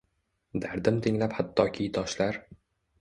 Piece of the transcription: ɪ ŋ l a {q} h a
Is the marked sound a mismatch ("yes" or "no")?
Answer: yes